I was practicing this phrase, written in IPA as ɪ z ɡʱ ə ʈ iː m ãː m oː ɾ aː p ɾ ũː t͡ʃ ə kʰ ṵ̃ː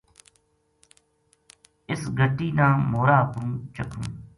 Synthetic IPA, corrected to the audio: ɪ s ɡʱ ə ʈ iː n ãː m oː ɾ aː p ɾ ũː t͡ʃ ə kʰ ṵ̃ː